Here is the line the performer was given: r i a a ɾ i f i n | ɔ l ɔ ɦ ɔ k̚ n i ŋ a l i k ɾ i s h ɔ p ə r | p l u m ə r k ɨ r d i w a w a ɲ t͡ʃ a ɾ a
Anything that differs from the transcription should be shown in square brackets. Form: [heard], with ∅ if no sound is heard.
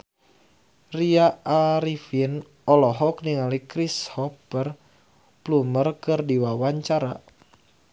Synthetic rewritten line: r i a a ɾ i f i n | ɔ l ɔ ɦ ɔ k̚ n i ŋ a l i k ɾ i s h ɔ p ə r | p l u m ə r k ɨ r d i w a w a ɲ t͡ʃ a ɾ a